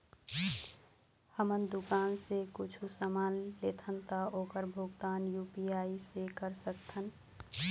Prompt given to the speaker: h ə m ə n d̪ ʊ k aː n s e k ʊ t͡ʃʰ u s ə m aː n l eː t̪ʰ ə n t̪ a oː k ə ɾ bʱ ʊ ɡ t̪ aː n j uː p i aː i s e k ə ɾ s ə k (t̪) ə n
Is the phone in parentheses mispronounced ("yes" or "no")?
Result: yes